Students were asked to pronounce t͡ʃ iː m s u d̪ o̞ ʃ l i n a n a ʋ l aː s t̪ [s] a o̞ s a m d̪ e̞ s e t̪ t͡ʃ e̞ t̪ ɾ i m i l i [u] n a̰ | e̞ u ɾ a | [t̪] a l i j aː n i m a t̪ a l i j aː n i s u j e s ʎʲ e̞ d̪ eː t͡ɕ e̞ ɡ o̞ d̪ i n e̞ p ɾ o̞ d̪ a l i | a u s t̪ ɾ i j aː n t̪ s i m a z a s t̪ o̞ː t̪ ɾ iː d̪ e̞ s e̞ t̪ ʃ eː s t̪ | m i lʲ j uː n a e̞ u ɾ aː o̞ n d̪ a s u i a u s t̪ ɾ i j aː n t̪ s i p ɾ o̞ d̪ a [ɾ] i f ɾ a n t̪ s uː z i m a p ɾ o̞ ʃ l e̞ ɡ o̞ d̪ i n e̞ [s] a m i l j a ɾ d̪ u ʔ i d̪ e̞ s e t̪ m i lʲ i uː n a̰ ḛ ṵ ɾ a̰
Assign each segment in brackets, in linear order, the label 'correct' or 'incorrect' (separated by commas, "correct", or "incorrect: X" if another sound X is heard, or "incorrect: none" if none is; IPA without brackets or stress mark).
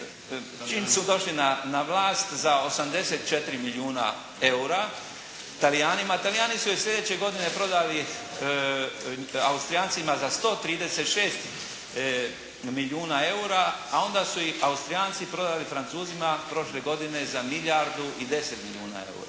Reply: incorrect: z, incorrect: uː, correct, incorrect: l, incorrect: z